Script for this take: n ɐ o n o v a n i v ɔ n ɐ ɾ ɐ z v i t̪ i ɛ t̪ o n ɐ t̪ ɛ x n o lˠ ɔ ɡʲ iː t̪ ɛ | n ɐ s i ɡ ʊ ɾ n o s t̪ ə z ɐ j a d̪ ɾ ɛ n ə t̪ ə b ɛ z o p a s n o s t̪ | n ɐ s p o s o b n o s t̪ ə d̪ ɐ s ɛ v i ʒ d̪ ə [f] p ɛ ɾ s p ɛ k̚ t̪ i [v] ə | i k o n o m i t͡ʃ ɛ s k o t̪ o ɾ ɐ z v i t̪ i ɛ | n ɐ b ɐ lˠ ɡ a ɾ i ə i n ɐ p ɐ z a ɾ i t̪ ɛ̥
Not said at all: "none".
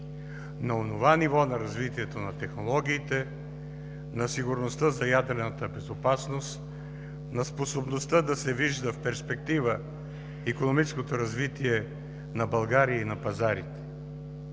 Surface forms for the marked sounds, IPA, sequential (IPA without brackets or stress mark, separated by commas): f, v